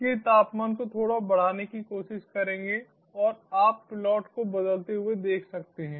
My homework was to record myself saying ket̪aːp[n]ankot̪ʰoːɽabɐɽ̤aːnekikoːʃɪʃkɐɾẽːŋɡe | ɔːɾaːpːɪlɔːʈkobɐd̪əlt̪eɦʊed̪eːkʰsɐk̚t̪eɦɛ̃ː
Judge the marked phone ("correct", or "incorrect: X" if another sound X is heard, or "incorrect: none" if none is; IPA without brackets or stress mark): incorrect: m